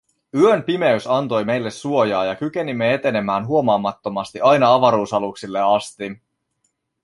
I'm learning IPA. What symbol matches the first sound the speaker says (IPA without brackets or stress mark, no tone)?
y